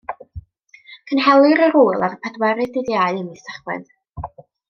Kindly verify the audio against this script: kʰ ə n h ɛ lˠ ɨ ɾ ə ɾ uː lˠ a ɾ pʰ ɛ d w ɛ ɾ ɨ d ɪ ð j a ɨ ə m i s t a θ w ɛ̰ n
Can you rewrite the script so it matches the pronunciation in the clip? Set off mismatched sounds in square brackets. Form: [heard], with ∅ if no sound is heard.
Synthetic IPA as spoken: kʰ ə n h ɛ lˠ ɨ ɾ ə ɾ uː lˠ a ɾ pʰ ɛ d w ɛ ɾ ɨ d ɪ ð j a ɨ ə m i s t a [χ] w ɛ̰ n